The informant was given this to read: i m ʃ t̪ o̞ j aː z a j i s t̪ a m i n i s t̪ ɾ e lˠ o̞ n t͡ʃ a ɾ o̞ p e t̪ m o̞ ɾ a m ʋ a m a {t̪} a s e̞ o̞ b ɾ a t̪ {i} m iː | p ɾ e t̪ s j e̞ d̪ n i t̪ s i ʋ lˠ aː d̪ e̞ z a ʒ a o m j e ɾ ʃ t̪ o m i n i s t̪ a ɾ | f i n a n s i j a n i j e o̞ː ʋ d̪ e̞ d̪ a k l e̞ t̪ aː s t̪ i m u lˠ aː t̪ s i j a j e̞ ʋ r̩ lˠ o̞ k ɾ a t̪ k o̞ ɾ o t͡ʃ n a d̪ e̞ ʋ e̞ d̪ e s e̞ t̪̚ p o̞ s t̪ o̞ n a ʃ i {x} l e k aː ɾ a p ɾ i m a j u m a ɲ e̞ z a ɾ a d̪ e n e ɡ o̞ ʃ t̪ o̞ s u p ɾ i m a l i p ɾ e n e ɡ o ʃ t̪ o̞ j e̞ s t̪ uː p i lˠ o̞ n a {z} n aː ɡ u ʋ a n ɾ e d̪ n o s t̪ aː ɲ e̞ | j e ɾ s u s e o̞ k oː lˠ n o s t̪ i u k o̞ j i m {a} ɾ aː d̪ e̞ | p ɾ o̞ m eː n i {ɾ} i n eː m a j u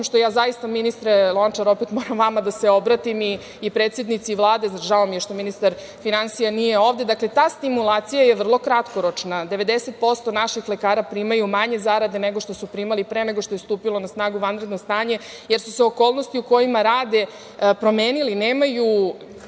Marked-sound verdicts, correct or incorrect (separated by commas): incorrect, correct, correct, incorrect, correct, incorrect